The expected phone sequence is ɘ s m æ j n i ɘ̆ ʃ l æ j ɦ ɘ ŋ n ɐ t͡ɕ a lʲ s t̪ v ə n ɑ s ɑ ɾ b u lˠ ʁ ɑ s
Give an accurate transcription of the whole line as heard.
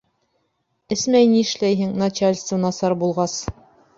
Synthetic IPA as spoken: ɘ s m æ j n i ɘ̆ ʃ l æ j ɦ ɘ ŋ n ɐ t͡ɕ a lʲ s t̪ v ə n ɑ s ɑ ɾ b u lˠ ʁ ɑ s